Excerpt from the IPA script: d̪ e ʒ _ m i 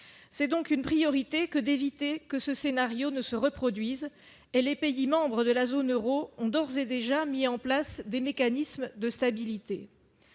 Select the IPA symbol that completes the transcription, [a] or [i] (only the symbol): a